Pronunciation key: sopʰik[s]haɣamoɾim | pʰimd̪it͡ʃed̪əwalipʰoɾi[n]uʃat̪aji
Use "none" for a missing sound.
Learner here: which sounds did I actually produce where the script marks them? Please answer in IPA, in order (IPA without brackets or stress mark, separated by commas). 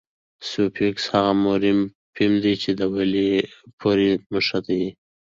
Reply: s, m